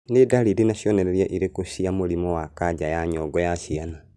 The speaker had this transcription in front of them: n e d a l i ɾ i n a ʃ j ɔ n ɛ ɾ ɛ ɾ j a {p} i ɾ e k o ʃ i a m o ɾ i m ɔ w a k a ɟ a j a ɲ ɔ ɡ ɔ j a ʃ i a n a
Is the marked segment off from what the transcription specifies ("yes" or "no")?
yes